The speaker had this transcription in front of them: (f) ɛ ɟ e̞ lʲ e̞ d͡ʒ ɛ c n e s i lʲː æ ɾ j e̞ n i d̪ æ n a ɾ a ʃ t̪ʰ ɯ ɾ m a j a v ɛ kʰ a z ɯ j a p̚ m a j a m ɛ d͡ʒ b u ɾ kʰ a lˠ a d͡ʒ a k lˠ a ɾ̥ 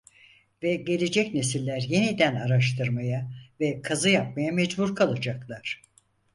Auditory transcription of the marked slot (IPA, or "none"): v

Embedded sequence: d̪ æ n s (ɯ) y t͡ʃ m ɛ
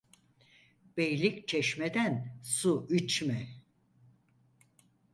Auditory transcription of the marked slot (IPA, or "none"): u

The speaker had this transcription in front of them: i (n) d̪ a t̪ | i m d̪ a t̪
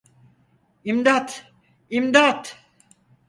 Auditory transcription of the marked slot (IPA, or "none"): m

